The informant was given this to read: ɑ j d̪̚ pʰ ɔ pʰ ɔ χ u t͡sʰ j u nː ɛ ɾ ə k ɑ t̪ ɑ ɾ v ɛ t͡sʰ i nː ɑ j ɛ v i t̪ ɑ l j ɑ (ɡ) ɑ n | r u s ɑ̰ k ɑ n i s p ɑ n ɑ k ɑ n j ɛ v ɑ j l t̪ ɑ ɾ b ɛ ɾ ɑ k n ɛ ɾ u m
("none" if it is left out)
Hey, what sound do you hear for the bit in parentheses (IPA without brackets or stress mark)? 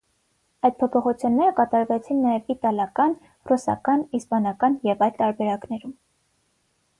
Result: k